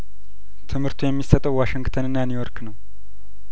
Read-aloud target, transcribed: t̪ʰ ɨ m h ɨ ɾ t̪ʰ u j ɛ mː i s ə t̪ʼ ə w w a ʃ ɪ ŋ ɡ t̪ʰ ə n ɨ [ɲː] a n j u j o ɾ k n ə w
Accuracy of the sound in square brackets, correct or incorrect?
incorrect